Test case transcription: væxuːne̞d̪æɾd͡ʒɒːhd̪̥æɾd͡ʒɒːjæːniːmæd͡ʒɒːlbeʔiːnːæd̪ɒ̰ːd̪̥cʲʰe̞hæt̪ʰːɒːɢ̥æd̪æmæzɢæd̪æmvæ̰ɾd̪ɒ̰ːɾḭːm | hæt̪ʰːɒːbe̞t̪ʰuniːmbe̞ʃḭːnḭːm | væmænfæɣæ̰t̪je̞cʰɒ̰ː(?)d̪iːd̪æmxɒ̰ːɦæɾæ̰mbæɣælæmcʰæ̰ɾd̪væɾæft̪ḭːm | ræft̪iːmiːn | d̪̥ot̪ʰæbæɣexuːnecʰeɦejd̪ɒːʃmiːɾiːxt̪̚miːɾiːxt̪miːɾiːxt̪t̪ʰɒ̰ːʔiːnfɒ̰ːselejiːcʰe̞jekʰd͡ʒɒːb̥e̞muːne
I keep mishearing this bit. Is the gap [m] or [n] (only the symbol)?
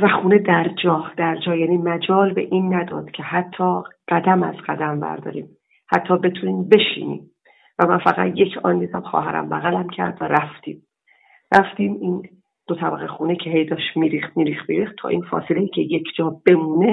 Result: n